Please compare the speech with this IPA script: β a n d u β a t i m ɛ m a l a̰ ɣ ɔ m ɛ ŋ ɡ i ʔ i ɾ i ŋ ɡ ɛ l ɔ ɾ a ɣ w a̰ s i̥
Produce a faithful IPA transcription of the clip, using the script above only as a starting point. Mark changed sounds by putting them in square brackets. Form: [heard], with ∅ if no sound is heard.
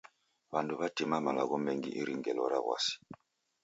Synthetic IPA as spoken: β a n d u β a t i m [a] m a l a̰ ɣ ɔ m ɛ ŋ ɡ i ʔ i ɾ i ŋ ɡ ɛ l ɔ ɾ a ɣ w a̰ s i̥

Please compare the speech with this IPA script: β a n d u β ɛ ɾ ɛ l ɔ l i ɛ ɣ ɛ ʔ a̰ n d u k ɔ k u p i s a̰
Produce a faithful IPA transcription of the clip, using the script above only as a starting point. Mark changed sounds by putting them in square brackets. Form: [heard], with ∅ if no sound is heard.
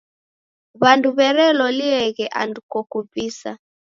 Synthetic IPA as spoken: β a n d u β ɛ ɾ ɛ l ɔ l i ɛ ɣ ɛ ʔ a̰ n d u k ɔ k u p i s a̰

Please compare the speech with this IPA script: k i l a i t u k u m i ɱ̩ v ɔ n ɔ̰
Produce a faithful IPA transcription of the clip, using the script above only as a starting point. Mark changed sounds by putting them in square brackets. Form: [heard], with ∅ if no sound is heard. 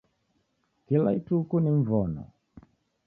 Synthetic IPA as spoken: k i l a i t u k u [n] i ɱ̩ v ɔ n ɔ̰

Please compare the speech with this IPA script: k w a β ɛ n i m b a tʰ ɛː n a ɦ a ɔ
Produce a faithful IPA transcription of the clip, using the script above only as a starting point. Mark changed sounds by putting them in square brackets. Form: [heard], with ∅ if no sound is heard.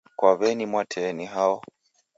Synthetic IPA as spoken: k w a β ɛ n i m [w] a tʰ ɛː n [i] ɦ a ɔ

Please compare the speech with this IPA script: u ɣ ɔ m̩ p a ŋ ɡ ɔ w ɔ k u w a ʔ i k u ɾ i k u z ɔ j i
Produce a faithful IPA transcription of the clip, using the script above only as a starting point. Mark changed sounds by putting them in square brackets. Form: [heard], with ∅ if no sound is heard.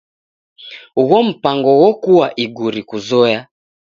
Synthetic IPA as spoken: u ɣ ɔ m̩ p a ŋ ɡ ɔ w ɔ k u w a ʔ i [ɡ] u ɾ i k u z ɔ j [a]

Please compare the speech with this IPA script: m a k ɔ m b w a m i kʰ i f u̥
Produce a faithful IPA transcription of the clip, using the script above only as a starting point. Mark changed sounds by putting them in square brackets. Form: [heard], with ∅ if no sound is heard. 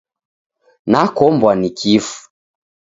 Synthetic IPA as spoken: [n] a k ɔ m b w a [n] i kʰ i f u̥

